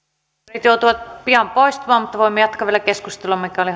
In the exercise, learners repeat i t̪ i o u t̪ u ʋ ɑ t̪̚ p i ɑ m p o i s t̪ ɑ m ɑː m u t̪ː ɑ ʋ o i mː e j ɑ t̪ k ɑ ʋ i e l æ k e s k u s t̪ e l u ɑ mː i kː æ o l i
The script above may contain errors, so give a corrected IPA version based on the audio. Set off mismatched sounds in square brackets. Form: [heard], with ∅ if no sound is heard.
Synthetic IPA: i t̪ [j] o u t̪ u ʋ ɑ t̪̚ p i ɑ m p o i s t̪ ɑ m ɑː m u t̪ː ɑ ʋ o i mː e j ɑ t̪ k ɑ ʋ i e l æ k e s k u s t̪ e l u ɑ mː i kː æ o l i